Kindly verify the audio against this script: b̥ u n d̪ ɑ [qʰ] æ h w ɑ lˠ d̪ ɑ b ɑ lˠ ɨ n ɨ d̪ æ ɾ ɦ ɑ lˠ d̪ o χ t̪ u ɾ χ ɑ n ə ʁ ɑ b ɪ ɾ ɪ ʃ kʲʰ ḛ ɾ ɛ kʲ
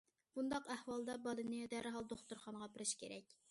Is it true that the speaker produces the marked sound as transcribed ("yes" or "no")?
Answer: no